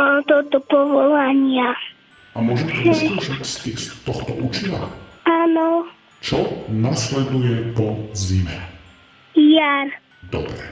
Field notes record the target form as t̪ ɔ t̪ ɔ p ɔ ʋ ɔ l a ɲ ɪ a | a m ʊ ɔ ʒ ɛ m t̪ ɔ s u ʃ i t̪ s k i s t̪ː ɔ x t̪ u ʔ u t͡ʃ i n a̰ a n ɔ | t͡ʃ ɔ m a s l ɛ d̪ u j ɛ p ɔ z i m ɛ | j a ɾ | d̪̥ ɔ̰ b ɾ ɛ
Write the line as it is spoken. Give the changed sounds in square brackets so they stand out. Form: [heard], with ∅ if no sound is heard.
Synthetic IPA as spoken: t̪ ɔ t̪ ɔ p ɔ ʋ ɔ l a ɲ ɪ a | a m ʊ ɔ ʒ ɛ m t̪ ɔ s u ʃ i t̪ s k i s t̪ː ɔ x t̪ [ɔ] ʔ u t͡ʃ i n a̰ a n ɔ | t͡ʃ ɔ [n] a s l ɛ d̪ u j ɛ p ɔ z i m ɛ | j a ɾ | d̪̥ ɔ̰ b ɾ ɛ